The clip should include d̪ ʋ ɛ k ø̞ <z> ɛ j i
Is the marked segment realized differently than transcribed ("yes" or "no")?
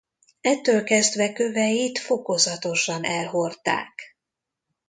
yes